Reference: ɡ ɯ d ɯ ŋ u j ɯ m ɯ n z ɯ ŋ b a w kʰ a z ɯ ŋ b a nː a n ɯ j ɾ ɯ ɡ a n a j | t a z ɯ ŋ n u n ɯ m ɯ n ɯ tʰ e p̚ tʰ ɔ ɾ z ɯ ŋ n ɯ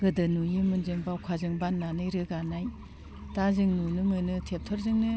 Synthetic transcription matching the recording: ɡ ɯ d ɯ n u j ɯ m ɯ n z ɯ ŋ b a w kʰ a z ɯ ŋ b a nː a n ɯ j ɾ ɯ ɡ a n a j | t a z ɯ ŋ n u n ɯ m ɯ n ɯ tʰ e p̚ tʰ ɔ ɾ z ɯ ŋ n ɯ